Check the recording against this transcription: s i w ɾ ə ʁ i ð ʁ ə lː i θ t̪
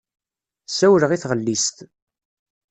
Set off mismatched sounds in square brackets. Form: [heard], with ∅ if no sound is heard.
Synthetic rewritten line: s [æ] w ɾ ə ʁ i [θ] ʁ ə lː i [s] t̪